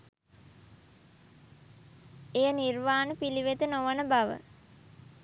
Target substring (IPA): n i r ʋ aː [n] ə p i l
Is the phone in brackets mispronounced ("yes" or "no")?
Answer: no